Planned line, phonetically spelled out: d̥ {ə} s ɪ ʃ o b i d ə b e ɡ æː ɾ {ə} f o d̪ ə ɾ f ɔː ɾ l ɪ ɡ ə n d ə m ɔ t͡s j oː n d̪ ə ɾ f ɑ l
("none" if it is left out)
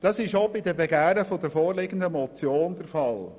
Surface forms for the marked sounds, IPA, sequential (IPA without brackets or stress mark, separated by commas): ɑ, ə